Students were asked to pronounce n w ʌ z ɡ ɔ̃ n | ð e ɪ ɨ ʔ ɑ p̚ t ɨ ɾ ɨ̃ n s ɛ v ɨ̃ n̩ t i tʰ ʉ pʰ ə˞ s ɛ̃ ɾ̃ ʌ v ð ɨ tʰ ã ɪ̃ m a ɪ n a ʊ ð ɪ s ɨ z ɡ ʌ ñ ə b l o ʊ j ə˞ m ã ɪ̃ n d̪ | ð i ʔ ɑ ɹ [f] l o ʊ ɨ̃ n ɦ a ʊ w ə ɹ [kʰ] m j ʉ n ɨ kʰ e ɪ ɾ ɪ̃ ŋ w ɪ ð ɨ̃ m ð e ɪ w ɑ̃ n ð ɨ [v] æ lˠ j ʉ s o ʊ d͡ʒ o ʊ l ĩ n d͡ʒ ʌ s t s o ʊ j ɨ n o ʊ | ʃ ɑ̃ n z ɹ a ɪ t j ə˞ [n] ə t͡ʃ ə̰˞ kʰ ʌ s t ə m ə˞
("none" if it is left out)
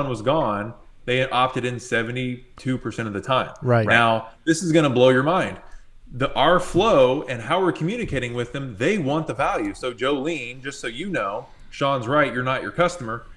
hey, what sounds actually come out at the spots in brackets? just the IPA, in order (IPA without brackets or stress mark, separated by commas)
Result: f, kʰ, v, n